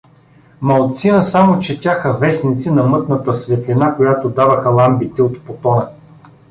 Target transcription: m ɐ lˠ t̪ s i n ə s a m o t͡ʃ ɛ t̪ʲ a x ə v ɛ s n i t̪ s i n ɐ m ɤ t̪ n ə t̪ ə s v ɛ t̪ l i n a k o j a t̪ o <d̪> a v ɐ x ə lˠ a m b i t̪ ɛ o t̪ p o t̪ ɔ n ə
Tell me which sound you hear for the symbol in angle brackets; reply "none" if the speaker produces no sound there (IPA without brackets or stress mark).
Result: d̪